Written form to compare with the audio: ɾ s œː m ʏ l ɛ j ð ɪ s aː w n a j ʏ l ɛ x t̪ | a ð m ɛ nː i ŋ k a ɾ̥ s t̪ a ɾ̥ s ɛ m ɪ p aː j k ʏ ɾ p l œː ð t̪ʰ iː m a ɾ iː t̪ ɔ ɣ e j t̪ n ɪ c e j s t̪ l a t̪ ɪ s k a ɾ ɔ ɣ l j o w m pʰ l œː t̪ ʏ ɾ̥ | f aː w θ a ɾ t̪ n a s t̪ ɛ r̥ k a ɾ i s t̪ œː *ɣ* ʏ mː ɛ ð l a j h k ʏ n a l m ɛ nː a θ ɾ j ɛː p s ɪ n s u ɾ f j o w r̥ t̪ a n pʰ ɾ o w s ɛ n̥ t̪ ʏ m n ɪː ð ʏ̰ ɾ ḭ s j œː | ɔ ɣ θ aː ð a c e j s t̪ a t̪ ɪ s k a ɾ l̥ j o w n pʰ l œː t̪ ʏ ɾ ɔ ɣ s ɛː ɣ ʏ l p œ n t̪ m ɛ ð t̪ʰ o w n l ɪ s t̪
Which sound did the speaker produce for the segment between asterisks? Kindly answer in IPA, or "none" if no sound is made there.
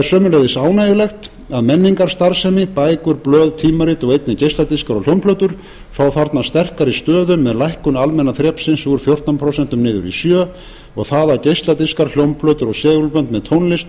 ð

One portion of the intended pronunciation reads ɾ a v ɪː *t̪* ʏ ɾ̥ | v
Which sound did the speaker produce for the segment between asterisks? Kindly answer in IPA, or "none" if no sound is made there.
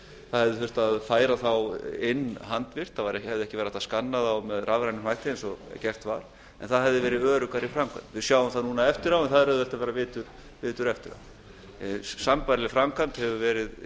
t̪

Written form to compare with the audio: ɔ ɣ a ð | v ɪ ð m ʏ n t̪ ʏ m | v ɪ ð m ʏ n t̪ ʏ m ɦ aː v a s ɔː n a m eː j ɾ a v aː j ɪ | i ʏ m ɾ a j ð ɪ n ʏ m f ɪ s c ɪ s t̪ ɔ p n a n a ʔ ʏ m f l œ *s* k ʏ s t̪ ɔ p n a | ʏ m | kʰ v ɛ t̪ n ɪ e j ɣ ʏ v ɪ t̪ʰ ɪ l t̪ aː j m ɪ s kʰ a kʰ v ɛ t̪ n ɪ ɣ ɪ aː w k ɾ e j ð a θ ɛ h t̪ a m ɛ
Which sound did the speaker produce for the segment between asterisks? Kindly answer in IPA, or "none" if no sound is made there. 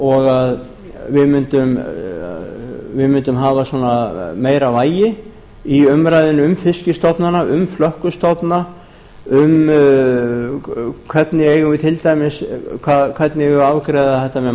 h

